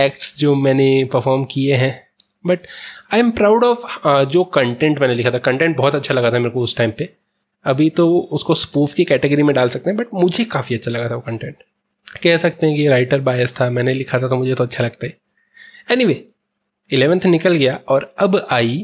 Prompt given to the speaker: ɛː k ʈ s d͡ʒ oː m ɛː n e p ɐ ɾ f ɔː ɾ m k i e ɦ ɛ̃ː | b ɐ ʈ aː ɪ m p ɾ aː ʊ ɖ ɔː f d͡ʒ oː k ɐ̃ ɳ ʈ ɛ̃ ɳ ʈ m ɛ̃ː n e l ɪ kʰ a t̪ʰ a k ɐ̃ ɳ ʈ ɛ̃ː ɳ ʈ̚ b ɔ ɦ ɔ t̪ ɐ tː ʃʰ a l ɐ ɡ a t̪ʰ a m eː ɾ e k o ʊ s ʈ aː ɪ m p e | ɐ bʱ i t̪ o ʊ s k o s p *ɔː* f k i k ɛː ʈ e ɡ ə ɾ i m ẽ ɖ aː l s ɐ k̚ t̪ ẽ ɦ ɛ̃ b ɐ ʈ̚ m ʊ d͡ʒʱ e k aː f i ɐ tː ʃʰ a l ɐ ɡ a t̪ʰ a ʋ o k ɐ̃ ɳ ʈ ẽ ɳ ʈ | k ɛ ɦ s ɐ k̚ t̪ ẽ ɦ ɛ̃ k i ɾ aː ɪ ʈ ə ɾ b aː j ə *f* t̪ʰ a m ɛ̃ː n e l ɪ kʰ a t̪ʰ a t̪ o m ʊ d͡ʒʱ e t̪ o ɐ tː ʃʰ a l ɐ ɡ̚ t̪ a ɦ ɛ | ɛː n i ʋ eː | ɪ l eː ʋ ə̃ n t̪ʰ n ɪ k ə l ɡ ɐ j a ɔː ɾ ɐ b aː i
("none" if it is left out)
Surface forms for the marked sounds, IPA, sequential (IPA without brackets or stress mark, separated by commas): uː, s